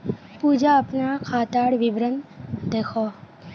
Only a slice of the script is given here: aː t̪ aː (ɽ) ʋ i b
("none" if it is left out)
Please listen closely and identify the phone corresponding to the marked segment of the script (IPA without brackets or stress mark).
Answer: ɽ